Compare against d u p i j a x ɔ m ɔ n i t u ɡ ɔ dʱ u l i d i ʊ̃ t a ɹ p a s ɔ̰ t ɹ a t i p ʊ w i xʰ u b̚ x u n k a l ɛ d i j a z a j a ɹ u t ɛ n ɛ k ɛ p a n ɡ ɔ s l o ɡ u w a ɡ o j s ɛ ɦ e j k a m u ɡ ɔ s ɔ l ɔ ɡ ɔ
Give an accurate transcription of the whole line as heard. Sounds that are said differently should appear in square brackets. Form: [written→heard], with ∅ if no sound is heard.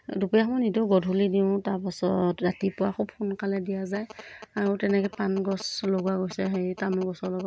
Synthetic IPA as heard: d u p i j a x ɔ m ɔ n i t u ɡ ɔ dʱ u l i d i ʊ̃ t a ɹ p a s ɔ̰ t ɹ a t i p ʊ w [i→a] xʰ u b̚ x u n k a l ɛ d i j a z a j a ɹ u t ɛ n ɛ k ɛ p a n ɡ ɔ s l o ɡ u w a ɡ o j s ɛ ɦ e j [k→t] a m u ɡ ɔ s ɔ l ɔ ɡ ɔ